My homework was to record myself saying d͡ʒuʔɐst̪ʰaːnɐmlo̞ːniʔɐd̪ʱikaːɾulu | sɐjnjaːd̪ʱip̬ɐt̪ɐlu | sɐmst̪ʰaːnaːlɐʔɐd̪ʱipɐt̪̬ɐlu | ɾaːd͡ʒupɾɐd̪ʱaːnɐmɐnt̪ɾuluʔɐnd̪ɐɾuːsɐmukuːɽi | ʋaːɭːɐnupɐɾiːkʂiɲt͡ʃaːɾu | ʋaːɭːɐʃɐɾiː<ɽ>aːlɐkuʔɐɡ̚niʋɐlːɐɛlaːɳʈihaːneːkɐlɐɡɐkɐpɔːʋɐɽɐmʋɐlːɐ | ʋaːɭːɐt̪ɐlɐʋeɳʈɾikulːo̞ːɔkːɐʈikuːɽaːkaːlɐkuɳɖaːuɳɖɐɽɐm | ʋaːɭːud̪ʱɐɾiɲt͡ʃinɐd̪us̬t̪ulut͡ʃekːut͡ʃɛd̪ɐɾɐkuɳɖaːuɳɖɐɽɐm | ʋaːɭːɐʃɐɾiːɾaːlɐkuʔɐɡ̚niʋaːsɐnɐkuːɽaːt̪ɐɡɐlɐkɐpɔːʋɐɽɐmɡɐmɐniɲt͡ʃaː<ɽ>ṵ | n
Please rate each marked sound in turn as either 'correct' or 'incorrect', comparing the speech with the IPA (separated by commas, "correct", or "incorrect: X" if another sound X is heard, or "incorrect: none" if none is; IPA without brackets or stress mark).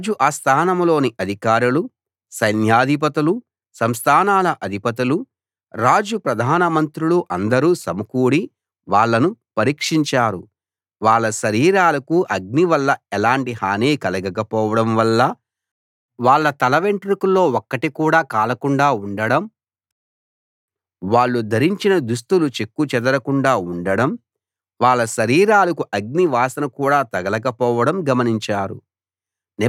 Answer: incorrect: ɾ, incorrect: ɾ